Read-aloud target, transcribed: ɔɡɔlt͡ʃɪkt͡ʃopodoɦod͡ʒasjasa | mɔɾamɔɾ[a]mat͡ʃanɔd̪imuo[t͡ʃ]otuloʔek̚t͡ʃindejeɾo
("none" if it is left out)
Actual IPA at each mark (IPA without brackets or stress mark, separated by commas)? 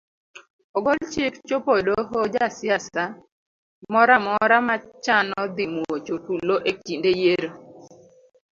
a, t͡ʃ